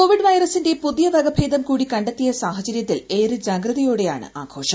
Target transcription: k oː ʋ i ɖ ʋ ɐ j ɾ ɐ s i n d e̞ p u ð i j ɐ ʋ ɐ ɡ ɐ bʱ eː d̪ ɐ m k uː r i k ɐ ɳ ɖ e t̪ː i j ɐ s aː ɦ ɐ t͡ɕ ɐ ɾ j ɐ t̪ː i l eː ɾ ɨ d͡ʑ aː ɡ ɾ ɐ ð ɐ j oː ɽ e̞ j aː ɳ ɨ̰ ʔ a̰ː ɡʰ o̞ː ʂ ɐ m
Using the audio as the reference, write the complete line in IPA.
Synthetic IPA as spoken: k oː ʋ i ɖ ʋ ɐ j ɾ ɐ s i n d e̞ p u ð i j ɐ ʋ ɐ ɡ ɐ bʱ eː d̪ ɐ m k uː ɽ i k ɐ ɳ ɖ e t̪ː i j ɐ s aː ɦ ɐ t͡ɕ ɐ ɾ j ɐ t̪ː i l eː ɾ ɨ d͡ʑ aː ɡ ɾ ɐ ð ɐ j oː ɽ e̞ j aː ɳ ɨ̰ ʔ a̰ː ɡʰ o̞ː ʂ ɐ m